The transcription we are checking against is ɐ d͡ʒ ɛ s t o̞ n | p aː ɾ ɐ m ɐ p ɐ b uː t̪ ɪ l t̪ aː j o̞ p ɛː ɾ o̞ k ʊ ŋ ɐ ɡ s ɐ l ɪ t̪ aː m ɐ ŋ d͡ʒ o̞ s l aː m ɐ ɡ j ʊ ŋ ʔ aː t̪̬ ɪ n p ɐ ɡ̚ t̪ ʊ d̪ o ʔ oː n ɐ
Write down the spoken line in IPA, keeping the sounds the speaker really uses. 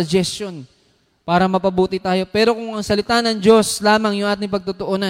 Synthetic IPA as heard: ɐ d͡ʒ ɛ s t o̞ n | p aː ɾ ɐ m ɐ p ɐ b uː t̪ ɪ t̪ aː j o̞ p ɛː ɾ o̞ k ʊ ŋ ɐ ŋ s ɐ l ɪ t̪ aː n ɐ ŋ d͡ʒ o̞ s l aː m ɐ ŋ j ʊ ŋ ʔ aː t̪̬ ɪ ŋ p ɐ ɡ̚ t̪ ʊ t̪ o ʔ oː n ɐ